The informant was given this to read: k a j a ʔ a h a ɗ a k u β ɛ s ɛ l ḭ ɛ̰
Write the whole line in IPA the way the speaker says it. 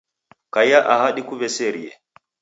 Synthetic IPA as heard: k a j a ʔ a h a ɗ i k u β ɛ s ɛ ɾ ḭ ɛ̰

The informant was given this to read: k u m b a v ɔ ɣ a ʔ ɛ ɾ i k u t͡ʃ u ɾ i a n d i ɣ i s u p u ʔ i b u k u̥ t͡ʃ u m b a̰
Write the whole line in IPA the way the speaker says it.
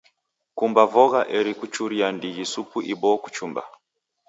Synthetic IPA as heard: k u m b a v ɔ ɣ a ʔ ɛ ɾ i k u t͡ʃ u ɾ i a n d i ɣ i s u p u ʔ i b ɔ k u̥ t͡ʃ u m b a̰

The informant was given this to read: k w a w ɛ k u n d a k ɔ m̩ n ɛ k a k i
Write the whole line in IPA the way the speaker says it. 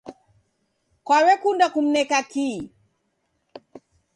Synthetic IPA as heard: k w a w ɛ k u n d a k u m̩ n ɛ k a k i

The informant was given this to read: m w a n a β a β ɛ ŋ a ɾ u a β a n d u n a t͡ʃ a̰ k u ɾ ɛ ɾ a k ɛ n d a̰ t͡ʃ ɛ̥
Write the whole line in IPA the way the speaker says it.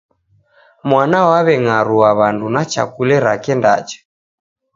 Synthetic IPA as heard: m w a n a w a β ɛ ŋ a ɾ u a β a n d u n a t͡ʃ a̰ k u l ɛ ɾ a k ɛ n d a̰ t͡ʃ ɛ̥

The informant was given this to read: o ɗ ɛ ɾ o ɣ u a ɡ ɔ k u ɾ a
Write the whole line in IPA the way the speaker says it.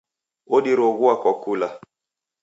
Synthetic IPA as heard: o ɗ i ɾ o ɣ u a k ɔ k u l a

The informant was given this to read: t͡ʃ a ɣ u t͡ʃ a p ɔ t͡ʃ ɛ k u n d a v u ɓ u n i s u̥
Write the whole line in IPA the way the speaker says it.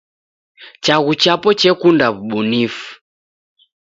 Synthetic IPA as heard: t͡ʃ a ɣ u t͡ʃ a p ɔ t͡ʃ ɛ k u n d a β u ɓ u n i f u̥

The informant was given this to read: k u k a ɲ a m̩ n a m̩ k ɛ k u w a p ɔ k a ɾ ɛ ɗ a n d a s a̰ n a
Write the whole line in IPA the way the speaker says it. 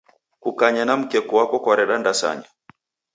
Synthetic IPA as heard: k u k a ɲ a n a m̩ k ɛ k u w a k ɔ k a ɾ ɛ ɗ a n d a s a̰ ɲ a

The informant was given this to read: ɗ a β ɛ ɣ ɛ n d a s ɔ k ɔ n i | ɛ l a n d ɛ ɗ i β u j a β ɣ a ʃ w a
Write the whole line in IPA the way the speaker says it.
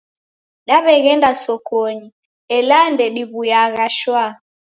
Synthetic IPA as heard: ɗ a β ɛ ɣ ɛ n d a s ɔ k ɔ ɲ i | ɛ l a n d ɛ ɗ i β u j a ɣ a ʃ w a

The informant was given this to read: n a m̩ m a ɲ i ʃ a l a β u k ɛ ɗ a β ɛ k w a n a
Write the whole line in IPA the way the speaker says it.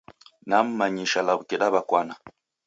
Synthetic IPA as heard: n a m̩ m a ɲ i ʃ a l a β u k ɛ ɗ a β a k w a n a

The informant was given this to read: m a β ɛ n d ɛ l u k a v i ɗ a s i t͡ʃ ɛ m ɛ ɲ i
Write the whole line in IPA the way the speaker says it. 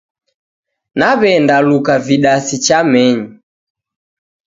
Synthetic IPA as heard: n a β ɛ n d a l u k a v i ɗ a s i t͡ʃ a m ɛ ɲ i

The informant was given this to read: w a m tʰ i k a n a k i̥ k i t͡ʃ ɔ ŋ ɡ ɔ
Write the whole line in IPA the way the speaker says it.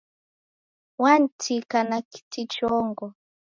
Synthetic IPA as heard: w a n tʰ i k a n a k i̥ t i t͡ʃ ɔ ŋ ɡ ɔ

